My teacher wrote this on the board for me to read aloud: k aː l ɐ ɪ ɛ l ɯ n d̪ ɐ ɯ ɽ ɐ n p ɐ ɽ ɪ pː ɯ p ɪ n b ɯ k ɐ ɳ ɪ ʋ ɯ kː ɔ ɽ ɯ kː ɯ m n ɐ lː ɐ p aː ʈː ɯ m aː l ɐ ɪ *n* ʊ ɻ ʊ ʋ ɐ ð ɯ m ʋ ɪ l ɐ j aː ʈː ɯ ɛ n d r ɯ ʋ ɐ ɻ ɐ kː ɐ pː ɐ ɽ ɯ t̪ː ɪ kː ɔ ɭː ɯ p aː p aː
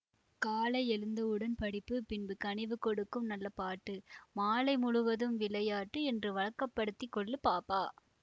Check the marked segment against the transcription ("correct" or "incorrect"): incorrect